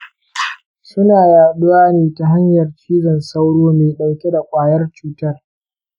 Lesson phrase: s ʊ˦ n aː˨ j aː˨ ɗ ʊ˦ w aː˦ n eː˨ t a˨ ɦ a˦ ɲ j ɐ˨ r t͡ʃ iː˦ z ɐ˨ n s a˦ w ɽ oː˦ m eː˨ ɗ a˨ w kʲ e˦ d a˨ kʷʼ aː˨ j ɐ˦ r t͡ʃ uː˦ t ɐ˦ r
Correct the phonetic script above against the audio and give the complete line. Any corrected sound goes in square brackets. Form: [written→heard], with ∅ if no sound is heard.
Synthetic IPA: s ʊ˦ n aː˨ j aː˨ ɗ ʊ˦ w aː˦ n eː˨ t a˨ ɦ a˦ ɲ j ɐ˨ r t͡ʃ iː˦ z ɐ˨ n s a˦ w ɽ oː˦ m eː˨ ɗ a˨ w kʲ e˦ d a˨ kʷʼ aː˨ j ɐ˦ r t͡ʃ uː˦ t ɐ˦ r